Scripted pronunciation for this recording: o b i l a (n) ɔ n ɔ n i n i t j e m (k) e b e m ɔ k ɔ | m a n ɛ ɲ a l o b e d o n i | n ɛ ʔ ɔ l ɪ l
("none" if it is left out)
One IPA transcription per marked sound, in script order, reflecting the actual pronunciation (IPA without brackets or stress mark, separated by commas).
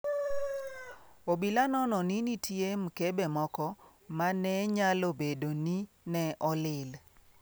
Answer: n, k